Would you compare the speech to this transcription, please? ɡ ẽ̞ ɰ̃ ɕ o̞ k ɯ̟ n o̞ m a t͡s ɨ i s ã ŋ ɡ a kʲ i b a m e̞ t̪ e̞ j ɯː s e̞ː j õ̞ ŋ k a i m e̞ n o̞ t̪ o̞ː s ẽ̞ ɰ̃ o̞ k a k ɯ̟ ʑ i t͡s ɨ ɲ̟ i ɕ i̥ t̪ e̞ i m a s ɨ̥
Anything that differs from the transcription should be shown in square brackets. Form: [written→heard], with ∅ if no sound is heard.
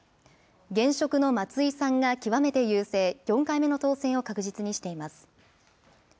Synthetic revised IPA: ɡ ẽ̞ ɰ̃ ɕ o̞ k ɯ̟ n o̞ m a t͡s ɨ i s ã ŋ ɡ a kʲ i [b→β] a m e̞ t̪ e̞ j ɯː s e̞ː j õ̞ ŋ k a i m e̞ n o̞ t̪ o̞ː s ẽ̞ ɰ̃ o̞ k a k ɯ̟ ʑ i t͡s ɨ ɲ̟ i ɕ i̥ t̪ e̞ i m a s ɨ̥